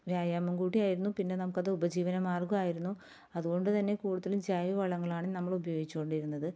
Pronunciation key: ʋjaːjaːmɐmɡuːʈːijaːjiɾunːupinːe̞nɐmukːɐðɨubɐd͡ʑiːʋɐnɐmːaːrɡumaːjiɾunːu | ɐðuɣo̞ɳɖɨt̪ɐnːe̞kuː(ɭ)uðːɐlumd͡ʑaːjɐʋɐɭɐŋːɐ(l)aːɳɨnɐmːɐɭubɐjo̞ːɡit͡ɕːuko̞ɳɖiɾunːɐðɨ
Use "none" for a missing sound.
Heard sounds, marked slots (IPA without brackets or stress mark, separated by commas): ɽ, ɭ